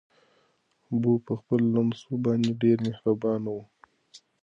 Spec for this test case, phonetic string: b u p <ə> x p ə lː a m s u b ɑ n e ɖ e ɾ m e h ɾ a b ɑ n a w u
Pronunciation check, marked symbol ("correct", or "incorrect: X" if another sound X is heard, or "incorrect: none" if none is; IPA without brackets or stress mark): correct